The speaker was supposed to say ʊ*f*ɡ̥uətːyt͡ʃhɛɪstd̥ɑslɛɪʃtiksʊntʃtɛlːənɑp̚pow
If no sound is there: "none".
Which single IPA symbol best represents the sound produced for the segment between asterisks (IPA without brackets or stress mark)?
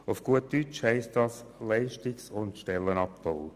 f